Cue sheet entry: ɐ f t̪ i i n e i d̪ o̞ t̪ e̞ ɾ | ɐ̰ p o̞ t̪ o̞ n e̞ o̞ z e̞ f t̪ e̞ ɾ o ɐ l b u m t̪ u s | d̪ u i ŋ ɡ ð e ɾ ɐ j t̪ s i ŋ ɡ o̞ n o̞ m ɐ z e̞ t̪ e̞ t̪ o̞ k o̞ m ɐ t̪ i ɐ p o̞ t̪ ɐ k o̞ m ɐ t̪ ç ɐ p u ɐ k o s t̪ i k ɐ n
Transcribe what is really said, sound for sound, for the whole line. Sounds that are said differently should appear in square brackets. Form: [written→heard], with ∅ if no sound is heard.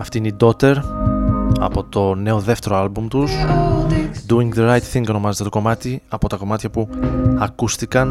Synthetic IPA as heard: ɐ f t̪ i i n e i d̪ o̞ t̪ e̞ ɾ | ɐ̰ p o̞ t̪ o̞ n e̞ o̞ [z→ð] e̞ f t̪ e̞ ɾ o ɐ l b u m t̪ u s | d̪ u i ŋ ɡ ð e ɾ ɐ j t̪ [s→θ] i ŋ ɡ o̞ n o̞ m ɐ z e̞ t̪ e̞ t̪ o̞ k o̞ m ɐ t̪ i ɐ p o̞ t̪ ɐ k o̞ m ɐ t̪ ç ɐ p u ɐ k [o→u] s t̪ i k ɐ n